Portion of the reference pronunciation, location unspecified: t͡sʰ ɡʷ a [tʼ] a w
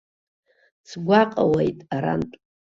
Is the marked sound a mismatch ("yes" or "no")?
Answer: yes